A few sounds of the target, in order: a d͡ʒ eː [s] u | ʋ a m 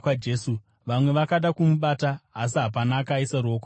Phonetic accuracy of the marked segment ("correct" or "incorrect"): correct